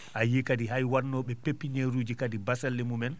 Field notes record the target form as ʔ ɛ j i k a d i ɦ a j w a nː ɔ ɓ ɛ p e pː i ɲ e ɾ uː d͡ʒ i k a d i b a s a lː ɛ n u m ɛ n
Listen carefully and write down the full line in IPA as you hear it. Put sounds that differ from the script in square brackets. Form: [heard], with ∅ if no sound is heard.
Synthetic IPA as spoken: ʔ [a] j i k a d i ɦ a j w a nː ɔ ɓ ɛ p e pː i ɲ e ɾ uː d͡ʒ i k a d i b a s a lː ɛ [m] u m ɛ n